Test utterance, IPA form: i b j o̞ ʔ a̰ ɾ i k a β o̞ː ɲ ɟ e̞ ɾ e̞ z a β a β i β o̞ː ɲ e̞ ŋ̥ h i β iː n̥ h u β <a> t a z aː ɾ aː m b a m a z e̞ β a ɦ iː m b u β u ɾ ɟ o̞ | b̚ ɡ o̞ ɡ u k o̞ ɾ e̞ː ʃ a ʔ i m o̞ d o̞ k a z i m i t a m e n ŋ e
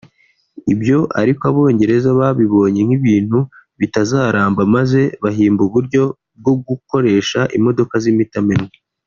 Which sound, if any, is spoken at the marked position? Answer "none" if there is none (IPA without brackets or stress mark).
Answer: i